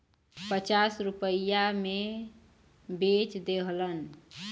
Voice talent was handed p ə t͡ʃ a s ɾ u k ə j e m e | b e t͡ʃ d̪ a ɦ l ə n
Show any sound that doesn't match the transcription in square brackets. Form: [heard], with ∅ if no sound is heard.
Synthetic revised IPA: p ə t͡ʃ a s ɾ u [p] ə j [a] m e | b e t͡ʃ d̪ [e] ɦ l ə n